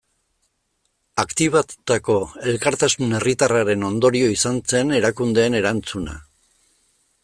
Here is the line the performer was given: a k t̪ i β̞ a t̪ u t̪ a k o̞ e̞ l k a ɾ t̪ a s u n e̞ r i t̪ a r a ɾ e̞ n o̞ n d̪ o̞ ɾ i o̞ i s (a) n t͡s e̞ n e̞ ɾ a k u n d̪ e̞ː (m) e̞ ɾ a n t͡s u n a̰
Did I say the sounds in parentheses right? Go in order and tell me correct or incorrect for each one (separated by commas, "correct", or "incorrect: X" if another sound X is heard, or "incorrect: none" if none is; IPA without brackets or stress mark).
correct, incorrect: n